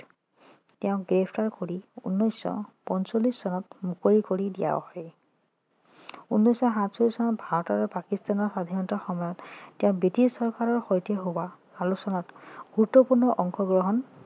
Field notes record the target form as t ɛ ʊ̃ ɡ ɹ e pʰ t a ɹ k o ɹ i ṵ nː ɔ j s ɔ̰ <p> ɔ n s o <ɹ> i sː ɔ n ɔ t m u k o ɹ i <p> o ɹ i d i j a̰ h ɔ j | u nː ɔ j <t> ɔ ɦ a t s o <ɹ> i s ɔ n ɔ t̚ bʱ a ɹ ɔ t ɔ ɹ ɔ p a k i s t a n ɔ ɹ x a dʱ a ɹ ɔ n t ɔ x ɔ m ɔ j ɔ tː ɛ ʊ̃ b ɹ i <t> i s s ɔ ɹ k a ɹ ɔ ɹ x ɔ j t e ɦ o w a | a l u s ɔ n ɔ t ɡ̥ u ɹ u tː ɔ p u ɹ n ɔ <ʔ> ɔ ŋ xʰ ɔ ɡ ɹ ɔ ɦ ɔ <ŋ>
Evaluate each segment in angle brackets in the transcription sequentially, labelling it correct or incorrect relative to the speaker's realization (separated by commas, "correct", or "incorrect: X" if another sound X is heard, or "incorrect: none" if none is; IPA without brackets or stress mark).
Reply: correct, incorrect: l, incorrect: k, incorrect: s, incorrect: l, correct, correct, incorrect: n